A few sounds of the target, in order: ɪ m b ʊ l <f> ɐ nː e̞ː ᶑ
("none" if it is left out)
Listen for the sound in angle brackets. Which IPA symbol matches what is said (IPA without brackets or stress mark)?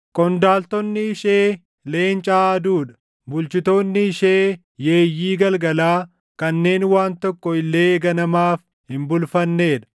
f